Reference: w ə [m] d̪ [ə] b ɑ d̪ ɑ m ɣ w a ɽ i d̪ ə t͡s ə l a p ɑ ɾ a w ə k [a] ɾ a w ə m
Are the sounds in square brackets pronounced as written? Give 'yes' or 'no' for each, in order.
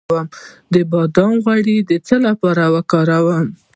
yes, yes, no

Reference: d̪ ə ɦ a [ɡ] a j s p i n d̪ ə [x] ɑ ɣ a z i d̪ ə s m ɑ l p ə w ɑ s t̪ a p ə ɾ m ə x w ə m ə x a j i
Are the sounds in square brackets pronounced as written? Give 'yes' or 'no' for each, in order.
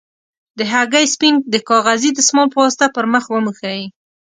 yes, no

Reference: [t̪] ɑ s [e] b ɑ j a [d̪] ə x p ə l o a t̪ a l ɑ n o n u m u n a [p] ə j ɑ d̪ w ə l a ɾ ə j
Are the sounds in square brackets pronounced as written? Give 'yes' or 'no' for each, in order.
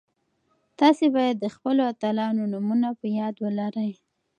yes, yes, no, yes

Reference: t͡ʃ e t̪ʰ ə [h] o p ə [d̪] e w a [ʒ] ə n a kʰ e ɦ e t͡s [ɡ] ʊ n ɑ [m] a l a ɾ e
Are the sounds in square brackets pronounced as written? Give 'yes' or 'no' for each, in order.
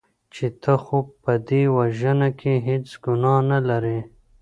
no, yes, yes, yes, no

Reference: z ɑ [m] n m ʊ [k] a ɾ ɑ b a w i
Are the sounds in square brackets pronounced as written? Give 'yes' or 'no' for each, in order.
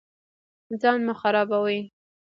no, no

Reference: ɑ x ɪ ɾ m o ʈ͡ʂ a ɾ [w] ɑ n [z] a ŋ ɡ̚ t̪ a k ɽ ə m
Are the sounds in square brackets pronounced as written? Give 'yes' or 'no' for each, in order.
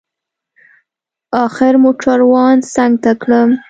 yes, no

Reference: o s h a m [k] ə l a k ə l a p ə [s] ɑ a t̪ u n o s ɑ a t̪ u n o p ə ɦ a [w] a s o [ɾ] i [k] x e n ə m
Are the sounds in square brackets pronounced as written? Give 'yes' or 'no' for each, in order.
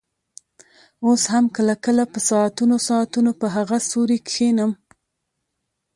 yes, yes, no, yes, yes

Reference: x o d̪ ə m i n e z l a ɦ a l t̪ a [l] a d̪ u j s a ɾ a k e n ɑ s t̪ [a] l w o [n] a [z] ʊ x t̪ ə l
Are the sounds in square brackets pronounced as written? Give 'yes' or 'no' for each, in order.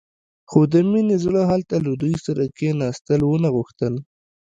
yes, no, yes, no

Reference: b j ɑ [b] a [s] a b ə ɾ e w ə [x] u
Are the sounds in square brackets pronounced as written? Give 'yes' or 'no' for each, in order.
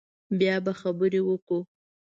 yes, no, no

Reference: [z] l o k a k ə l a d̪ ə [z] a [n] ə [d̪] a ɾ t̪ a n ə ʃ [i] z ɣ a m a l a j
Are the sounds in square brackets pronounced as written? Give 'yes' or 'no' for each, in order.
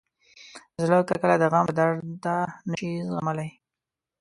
yes, no, no, yes, yes

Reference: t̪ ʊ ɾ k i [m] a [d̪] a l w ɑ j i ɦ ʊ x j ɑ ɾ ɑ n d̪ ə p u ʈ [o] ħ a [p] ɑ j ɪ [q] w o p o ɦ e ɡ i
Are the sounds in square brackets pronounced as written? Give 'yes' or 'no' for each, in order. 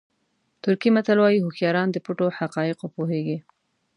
yes, no, yes, no, yes

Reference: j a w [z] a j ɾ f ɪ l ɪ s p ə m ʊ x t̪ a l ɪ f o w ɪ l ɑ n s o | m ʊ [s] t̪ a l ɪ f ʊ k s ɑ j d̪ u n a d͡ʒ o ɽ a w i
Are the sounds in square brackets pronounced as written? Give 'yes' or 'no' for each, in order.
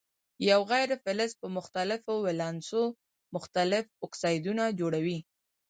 no, no

